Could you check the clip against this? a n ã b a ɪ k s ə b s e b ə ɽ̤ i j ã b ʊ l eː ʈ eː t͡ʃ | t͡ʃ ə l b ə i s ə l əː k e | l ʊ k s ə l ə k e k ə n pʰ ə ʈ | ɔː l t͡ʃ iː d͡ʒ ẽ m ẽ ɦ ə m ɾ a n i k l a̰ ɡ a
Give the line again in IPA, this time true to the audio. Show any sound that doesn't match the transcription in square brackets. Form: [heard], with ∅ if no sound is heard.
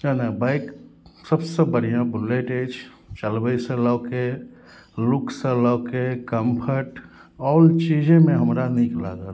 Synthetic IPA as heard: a n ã b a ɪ k s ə b s e b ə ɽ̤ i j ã b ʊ l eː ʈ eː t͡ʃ | t͡ʃ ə l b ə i s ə l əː k e | l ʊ k s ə l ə k e k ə [m] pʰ ə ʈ | ɔː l t͡ʃ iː d͡ʒ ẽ m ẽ ɦ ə m ɾ a n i k l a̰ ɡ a